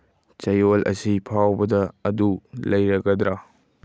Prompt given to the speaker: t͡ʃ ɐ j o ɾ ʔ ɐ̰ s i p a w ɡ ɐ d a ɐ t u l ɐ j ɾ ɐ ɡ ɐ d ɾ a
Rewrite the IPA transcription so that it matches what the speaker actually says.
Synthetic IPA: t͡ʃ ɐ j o l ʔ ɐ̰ s i pʰ a w b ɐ d ɐ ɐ d u l ɐ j ɾ ɐ ɡ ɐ d ɾ a